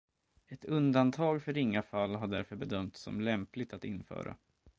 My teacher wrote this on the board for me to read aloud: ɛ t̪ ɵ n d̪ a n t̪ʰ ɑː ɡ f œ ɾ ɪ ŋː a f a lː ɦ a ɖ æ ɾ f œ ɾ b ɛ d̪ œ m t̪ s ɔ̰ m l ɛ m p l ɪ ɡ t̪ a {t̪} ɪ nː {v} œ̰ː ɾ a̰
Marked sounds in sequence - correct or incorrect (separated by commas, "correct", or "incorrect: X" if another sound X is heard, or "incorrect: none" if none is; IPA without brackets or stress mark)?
correct, incorrect: f